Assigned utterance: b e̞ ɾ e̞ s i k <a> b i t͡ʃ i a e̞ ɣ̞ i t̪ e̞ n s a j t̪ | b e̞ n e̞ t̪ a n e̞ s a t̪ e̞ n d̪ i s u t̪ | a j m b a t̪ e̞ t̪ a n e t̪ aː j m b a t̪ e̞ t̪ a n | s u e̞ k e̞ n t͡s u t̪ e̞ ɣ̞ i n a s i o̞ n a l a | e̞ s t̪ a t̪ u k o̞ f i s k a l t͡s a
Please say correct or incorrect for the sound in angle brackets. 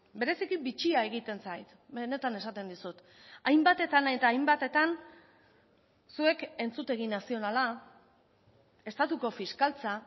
incorrect